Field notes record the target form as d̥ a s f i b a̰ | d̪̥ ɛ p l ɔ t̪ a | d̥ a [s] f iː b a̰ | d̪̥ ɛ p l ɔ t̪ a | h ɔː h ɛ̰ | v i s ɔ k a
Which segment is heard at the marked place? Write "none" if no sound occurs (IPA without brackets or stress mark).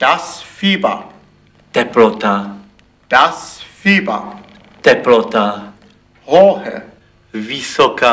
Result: s